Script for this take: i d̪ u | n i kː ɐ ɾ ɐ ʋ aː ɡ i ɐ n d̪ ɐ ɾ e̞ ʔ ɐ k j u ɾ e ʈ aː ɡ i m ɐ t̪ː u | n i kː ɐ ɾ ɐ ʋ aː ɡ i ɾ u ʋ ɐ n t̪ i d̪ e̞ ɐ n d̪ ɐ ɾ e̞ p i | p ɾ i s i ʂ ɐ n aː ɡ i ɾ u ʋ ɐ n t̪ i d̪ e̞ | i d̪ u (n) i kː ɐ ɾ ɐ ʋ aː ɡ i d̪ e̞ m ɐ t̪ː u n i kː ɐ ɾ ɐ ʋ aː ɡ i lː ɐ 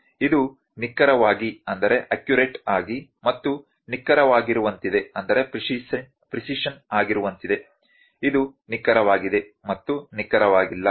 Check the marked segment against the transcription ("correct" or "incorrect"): correct